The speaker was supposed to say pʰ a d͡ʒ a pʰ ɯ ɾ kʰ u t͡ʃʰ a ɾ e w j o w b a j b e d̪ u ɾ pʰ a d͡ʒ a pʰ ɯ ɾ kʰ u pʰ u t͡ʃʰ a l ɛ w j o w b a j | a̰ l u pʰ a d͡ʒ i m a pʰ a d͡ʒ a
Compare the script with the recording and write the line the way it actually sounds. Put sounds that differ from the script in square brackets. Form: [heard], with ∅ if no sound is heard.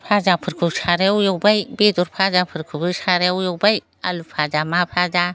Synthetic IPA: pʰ a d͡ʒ a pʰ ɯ ɾ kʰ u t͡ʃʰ a ɾ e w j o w b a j b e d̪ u ɾ pʰ a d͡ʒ a pʰ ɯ ɾ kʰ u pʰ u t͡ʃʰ a [ɾ] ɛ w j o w b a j | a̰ l u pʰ a d͡ʒ [a] m a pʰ a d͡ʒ a